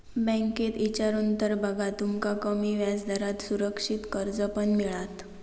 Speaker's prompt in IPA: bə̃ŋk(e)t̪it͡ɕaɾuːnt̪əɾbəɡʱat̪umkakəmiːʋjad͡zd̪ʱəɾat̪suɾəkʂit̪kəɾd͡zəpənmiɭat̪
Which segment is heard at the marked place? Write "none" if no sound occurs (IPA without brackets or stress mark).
e